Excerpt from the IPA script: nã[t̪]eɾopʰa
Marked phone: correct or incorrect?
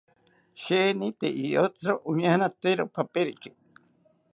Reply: correct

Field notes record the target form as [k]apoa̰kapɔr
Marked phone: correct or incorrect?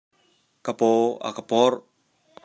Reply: correct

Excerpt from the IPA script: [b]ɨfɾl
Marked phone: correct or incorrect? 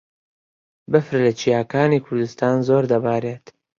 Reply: correct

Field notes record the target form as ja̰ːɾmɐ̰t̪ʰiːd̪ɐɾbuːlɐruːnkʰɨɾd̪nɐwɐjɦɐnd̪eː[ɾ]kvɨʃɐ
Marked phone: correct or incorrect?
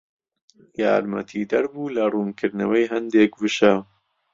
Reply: incorrect: none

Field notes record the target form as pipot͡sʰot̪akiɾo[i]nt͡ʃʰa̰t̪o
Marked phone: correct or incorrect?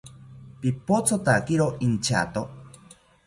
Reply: correct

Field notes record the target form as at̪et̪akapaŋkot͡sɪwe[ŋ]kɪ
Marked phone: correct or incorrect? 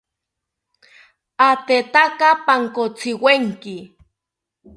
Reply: correct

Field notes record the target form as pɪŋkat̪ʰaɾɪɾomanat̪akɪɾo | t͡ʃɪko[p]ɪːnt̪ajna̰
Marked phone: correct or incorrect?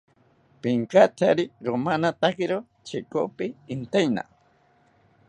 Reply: correct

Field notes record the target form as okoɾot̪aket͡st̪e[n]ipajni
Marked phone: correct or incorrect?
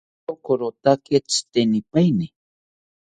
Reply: correct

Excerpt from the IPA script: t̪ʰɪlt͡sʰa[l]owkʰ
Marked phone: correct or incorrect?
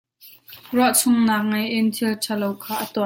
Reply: correct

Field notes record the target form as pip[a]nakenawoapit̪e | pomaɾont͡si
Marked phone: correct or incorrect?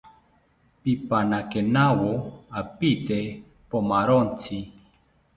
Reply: correct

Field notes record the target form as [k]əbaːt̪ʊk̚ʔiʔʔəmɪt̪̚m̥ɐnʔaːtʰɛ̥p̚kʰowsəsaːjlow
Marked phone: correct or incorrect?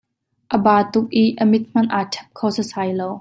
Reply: incorrect: ʔ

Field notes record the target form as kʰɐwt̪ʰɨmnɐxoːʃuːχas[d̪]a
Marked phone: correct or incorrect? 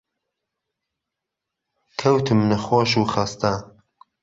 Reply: incorrect: t̪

